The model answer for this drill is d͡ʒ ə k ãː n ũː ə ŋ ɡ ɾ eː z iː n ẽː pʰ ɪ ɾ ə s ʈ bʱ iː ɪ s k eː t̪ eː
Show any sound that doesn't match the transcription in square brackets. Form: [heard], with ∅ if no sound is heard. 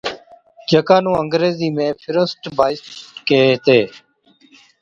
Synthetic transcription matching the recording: d͡ʒ ə k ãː n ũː ə ŋ ɡ ɾ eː z iː [m] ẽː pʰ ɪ ɾ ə s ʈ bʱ [aː] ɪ s k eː t̪ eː